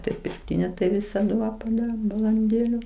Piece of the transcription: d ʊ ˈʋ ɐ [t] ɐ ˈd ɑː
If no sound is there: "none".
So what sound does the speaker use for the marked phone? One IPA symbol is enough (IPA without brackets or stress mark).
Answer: p